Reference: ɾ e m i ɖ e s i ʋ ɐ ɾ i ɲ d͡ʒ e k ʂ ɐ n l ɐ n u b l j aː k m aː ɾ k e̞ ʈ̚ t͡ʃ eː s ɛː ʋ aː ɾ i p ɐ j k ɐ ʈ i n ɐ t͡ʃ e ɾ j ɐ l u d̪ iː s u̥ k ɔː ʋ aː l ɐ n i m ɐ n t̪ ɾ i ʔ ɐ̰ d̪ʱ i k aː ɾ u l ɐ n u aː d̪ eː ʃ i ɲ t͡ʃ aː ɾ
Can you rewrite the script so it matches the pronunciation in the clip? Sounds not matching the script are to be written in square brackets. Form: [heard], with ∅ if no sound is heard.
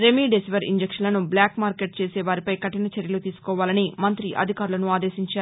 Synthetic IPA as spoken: ɾ e m i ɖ e s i ʋ ɐ ɾ i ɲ d͡ʒ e k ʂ ɐ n l ɐ n u b l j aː k m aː ɾ k e̞ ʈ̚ t͡ʃ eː s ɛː ʋ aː ɾ i p ɐ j k ɐ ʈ i n ɐ t͡ʃ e ɾ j ɐ l u [t̪] iː s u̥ k ɔː ʋ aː l ɐ n i m ɐ n t̪ ɾ i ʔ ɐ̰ d̪ʱ i k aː ɾ u l ɐ n u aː d̪ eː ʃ i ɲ t͡ʃ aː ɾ